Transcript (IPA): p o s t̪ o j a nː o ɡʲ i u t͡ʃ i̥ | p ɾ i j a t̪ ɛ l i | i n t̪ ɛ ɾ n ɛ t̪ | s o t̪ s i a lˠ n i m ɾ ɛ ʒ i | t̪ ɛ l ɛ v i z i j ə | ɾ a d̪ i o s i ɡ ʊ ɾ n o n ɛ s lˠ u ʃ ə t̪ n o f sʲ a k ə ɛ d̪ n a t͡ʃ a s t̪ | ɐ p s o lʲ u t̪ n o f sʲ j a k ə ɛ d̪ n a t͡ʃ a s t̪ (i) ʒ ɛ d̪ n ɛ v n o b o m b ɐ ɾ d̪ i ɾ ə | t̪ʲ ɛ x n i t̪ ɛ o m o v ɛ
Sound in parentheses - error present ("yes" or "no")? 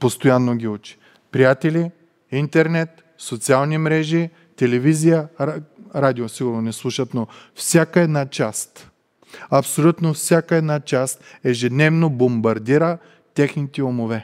yes